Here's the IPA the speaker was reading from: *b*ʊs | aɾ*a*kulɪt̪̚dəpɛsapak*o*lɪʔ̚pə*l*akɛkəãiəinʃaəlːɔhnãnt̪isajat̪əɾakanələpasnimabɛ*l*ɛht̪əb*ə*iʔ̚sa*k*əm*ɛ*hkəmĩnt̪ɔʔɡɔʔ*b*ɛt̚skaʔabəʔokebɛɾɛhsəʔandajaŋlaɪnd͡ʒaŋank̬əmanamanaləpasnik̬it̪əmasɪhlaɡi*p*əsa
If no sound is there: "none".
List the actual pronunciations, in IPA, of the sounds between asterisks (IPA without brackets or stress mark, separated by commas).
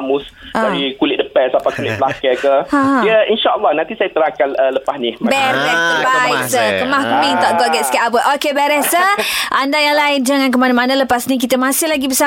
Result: m, i, u, l, ɾ, a, k, a, ɡ, b